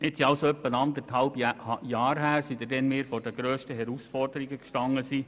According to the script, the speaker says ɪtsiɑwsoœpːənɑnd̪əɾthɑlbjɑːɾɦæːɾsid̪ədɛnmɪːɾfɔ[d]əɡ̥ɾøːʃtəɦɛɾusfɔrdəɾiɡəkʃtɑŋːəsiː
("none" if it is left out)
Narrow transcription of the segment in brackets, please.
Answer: d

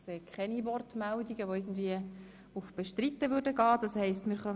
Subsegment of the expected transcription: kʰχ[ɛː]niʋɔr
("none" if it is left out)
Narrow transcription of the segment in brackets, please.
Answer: ɛ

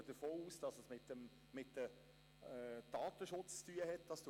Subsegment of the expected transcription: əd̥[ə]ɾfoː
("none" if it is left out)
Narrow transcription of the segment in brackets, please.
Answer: ə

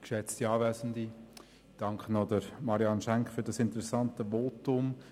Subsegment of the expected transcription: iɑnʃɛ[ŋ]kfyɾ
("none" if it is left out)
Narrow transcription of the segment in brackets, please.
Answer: ŋ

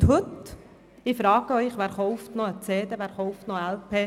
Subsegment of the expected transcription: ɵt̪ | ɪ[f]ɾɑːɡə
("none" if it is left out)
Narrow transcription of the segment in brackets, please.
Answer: f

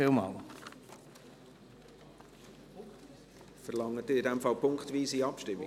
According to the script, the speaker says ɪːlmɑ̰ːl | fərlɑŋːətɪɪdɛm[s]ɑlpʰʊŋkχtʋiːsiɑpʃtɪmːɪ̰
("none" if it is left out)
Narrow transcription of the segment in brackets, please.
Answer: f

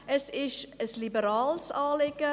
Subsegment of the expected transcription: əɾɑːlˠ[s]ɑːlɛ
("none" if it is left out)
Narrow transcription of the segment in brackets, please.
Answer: s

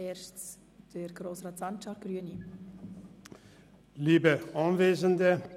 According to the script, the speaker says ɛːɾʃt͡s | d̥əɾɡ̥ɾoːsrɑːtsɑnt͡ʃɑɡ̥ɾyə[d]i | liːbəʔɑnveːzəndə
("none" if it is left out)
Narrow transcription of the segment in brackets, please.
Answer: n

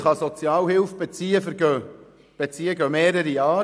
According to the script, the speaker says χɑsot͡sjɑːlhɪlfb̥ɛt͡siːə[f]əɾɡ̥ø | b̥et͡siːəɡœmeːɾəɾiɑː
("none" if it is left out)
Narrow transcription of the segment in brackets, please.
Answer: f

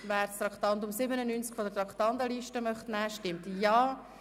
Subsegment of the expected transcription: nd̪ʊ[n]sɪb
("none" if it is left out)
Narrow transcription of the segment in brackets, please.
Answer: m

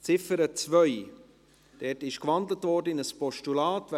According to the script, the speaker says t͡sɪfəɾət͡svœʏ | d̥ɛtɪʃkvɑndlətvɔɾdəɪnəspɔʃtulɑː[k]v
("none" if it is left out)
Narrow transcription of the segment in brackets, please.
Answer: t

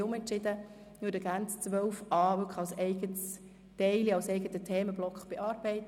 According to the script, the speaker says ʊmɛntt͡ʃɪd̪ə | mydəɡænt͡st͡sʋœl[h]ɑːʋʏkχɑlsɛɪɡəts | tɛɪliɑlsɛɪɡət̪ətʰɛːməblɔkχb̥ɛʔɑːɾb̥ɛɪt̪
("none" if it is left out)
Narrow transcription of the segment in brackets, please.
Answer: f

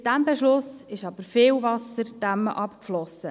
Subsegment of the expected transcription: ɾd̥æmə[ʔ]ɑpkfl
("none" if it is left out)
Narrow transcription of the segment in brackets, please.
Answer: ʔ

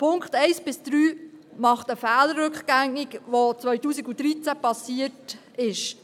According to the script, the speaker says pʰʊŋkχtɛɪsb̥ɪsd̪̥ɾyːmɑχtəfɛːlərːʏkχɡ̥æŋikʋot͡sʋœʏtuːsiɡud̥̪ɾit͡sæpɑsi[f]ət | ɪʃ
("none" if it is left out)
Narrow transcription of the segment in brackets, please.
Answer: none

